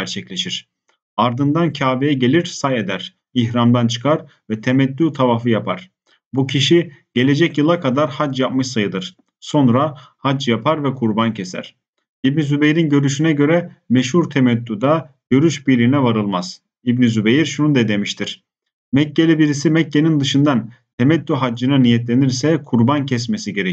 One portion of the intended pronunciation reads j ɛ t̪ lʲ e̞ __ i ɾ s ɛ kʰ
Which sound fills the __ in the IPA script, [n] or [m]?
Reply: n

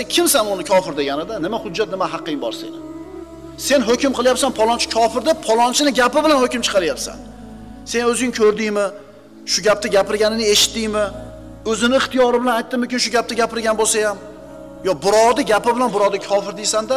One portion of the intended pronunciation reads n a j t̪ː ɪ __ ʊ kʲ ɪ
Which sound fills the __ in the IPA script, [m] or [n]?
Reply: m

